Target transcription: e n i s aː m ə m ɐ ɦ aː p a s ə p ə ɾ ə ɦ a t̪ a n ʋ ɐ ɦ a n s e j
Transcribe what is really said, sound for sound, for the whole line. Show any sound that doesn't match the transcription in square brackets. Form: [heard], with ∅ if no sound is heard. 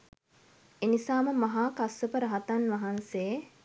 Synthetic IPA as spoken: e n i s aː m ə m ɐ ɦ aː [k] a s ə p ə ɾ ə ɦ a t̪ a n ʋ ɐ ɦ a n s e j